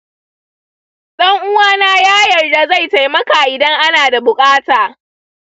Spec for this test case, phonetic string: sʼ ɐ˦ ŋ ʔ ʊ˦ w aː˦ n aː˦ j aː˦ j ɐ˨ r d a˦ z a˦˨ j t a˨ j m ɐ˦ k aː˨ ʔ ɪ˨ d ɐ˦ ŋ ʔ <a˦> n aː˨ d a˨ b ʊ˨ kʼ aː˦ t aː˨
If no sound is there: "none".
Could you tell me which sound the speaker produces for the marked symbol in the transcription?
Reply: a˦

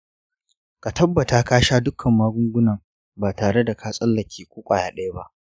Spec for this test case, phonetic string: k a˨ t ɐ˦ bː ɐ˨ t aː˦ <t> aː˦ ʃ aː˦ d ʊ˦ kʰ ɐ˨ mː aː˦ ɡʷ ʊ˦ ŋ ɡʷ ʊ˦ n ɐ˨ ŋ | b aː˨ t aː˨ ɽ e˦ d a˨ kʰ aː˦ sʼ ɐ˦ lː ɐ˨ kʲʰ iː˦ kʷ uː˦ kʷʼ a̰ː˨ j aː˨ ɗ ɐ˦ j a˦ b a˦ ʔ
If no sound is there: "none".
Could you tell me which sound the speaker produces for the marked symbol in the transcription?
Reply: k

